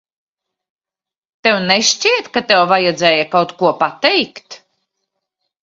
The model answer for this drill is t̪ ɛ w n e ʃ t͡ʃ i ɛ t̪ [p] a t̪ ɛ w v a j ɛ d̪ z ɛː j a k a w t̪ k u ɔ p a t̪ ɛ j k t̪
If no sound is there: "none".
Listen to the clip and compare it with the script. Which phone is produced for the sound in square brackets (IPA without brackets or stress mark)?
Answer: k